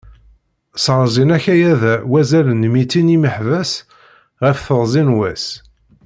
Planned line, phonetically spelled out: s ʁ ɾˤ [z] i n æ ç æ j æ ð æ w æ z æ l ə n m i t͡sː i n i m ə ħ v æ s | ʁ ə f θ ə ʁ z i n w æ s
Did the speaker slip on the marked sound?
no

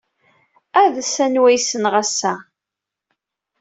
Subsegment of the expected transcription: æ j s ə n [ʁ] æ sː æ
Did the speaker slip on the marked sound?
no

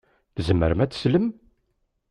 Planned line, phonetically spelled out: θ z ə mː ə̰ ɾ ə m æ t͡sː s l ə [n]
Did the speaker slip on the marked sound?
yes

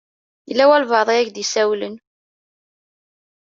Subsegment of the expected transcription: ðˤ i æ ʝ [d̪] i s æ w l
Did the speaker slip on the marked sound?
no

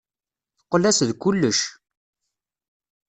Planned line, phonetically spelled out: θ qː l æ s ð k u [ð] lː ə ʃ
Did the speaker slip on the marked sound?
yes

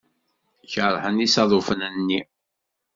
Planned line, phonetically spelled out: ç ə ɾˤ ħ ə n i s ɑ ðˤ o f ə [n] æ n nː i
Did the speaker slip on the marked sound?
no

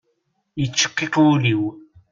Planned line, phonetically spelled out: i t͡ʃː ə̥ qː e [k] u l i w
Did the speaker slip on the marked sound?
yes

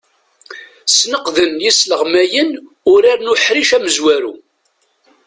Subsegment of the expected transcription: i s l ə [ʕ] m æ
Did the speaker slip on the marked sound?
yes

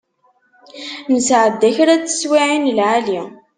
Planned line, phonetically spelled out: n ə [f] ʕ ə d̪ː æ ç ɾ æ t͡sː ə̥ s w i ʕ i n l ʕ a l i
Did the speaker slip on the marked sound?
yes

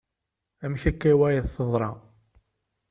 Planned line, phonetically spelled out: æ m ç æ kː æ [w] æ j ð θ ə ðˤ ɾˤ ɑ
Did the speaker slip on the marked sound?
no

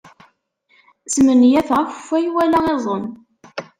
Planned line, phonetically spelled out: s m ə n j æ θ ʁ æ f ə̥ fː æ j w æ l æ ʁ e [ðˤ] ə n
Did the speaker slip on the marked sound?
yes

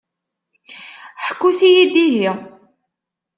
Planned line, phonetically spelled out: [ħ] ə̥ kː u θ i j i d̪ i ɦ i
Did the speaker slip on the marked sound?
no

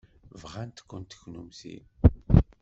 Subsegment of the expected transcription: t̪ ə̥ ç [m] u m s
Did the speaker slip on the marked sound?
yes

